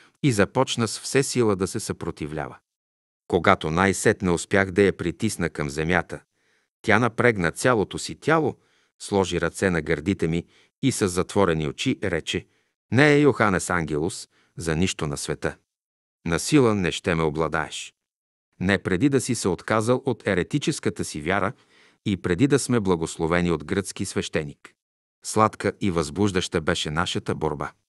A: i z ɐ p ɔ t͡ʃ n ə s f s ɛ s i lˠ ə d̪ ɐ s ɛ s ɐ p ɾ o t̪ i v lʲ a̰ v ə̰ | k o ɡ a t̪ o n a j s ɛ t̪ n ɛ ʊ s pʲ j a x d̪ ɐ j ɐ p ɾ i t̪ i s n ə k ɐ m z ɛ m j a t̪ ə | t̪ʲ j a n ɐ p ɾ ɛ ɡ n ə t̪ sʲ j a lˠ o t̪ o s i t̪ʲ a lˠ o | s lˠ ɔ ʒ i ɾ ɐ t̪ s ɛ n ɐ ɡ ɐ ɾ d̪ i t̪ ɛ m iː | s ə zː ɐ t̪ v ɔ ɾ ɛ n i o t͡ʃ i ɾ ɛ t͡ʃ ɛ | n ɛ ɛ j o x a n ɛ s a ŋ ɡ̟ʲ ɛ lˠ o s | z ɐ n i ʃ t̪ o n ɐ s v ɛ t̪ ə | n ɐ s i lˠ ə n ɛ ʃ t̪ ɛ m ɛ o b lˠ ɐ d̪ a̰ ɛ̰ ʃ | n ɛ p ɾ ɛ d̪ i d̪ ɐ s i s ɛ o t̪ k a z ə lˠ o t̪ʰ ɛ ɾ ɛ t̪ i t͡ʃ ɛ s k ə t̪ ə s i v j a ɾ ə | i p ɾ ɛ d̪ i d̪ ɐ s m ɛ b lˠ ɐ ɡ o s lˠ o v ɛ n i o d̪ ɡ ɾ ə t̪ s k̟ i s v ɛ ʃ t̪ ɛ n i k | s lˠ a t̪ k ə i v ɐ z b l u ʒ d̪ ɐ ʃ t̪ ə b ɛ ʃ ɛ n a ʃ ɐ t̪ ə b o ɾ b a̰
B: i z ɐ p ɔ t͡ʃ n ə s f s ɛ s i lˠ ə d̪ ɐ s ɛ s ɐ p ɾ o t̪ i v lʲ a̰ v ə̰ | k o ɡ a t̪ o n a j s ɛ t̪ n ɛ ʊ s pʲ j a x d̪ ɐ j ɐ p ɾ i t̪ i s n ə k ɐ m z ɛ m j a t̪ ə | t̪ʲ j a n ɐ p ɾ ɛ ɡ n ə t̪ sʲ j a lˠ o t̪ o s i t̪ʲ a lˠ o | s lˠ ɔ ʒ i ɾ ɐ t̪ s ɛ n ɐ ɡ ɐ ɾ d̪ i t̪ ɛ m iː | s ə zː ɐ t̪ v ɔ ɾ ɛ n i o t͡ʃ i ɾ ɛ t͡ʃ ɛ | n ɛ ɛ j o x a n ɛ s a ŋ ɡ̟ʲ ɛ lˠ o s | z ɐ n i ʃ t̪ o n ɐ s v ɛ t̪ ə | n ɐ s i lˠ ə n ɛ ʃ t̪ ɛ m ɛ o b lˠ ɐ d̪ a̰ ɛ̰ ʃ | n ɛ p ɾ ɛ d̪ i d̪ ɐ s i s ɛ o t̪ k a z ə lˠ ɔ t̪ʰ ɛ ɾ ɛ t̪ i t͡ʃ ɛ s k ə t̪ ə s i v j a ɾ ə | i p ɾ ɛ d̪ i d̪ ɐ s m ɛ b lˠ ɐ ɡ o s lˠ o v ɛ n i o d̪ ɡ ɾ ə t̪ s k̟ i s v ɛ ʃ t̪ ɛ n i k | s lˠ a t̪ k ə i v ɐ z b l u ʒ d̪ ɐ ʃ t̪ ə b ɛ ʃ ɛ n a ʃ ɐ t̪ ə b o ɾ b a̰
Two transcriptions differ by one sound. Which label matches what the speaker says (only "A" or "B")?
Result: A